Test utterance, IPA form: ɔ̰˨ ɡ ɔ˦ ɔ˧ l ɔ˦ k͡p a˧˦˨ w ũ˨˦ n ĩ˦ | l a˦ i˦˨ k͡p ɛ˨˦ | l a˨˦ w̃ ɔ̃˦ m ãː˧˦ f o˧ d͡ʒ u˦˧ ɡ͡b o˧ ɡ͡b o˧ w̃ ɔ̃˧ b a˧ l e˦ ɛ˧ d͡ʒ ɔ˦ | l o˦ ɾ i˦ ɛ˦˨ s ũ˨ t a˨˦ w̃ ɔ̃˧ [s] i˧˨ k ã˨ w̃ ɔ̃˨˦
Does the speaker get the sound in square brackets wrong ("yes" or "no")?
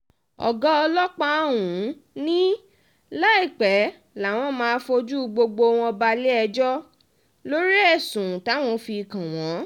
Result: yes